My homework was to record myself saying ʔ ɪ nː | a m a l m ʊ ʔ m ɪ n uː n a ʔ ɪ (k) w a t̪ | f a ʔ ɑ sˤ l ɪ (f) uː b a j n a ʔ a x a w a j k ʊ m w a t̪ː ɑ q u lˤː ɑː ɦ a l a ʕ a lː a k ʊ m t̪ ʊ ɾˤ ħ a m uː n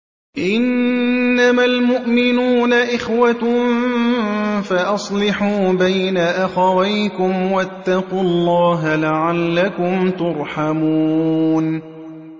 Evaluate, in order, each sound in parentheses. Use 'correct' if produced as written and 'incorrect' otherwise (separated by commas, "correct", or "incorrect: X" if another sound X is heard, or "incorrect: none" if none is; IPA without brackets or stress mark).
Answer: incorrect: x, incorrect: ħ